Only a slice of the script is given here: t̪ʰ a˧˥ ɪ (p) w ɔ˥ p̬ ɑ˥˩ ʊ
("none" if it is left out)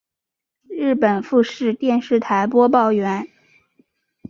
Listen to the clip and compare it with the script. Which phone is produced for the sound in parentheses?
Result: p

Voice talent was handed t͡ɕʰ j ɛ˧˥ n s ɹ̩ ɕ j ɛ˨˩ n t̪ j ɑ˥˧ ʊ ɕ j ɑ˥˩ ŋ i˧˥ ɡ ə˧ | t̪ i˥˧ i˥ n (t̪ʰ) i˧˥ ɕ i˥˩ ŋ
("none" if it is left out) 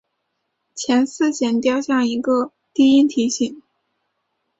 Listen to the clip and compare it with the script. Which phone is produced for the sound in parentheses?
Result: t̪ʰ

